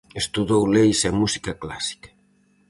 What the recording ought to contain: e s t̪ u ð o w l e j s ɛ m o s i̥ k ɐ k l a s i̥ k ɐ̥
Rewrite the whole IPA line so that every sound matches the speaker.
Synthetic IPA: e s t̪ u ð o w l e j s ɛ m u s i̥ k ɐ k l a s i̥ k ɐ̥

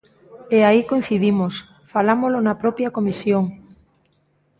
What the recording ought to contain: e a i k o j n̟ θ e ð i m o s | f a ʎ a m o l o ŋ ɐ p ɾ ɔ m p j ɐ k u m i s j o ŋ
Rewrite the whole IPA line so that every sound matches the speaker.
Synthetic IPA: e a i k o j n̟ θ i ð i m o s | f a l a m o l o n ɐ p ɾ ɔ p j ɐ k o m i s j o ŋ

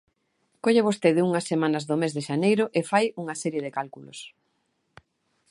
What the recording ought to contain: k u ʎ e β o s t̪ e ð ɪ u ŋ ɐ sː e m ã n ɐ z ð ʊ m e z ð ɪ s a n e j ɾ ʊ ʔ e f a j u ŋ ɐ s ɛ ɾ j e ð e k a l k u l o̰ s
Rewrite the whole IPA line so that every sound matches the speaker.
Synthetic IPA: k o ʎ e β o s t̪ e ð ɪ u ŋ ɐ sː e m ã n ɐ z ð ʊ m e z ð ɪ ʃ a n e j ɾ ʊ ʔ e f a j u ŋ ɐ s ɛ ɾ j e ð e k a l k u l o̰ s

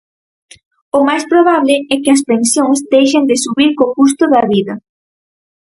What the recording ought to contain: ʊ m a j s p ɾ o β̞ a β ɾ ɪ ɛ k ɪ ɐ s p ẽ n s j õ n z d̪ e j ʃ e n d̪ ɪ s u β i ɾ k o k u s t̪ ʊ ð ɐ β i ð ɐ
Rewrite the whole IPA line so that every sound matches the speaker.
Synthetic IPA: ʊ m a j s p ɾ o β̞ a β l ɪ ɛ k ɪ ɐ s p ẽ n s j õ ŋ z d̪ e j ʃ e n d̪ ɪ s u β i ɾ k o k u s t̪ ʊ ð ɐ β i ð ɐ

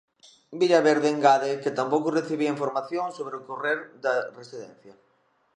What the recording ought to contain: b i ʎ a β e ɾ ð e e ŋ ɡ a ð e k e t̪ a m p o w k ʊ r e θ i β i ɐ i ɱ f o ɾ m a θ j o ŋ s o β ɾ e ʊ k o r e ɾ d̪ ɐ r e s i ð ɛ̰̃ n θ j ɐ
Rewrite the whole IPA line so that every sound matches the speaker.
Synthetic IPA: b i ʎ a β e ɾ ð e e ŋ ɡ a ð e k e t̪ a m p o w k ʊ r e θ i β i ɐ i ɱ f o ɾ m a θ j o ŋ s o β ɾ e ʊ k o r e ɾ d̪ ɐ r e s i ð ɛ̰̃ n θ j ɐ

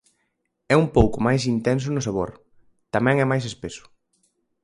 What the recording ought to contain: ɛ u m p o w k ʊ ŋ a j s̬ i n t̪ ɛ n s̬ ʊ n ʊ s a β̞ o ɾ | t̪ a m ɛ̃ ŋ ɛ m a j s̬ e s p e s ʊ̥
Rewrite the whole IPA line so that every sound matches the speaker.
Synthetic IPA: ɛ u m p o w k ʊ m a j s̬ i n t̪ ɛ n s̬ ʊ n ʊ s a β̞ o ɾ | t̪ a m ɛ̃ ŋ ɛ m a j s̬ e s p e s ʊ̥

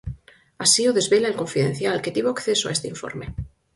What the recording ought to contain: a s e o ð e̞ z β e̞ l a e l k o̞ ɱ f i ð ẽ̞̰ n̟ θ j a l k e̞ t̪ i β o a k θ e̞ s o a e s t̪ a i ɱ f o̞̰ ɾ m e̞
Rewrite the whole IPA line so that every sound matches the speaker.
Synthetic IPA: a s i o ð e̞ z β e̞ l a e l k o̞ ɱ f i ð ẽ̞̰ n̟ θ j a l k e̞ t̪ i β o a k θ e̞ s o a e s t̪ e i ɱ f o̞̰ ɾ m e̞

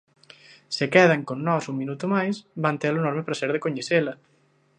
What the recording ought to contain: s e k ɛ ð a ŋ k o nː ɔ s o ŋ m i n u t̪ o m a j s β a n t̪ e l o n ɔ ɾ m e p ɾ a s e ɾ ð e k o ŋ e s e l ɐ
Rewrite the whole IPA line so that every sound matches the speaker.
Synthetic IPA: s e k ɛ ð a ŋ k o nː ɔ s u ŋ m i n u t̪ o m a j s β a n t̪ e l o n ɔ ɾ m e p ɾ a s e ɾ ð e k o ɲ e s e l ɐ

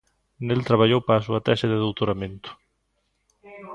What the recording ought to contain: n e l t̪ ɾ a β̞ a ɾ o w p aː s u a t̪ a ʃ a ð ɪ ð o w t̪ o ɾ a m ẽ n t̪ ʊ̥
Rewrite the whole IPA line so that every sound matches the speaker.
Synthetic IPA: n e l t̪ ɾ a β̞ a ʎ o w p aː s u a t̪ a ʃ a ð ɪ ð o w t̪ o ɾ a m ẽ n t̪ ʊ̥

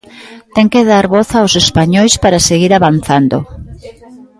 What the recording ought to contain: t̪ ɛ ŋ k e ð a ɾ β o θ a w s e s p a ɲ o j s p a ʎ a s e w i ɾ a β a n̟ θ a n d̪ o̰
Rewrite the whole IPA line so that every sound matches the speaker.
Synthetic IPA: t̪ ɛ ŋ k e ð a ɾ β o θ a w s e s p a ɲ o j s p a ɾ a s e ɣ i ɾ a β a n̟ θ a n d̪ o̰

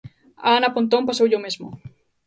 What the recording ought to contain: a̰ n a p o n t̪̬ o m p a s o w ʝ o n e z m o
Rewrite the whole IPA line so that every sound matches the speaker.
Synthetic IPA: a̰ n a p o n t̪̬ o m p a s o w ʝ o m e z m o

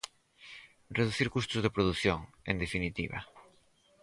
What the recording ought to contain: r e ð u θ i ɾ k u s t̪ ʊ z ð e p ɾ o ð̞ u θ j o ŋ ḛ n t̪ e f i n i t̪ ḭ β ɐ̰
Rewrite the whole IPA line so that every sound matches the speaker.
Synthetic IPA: r e ð u θ i ɾ k u s t̪ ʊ z ð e p ɾ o ð̞ u θ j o ŋ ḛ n d̪ e f i n i t̪ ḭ β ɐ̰

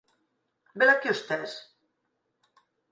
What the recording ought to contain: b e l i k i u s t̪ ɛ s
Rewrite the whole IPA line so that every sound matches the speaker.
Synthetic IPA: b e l a k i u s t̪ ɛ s

